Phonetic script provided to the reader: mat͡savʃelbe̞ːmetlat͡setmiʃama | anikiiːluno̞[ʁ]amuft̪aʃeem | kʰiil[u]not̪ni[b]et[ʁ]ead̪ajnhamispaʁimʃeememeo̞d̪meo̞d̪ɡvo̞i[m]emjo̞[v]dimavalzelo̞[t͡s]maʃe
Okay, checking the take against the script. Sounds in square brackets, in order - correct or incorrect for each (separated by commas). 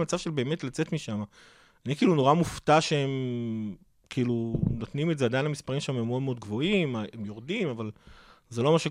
correct, correct, incorrect, incorrect, correct, incorrect, incorrect